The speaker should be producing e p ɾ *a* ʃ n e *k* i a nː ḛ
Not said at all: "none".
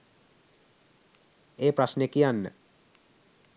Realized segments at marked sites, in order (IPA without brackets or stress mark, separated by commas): a, k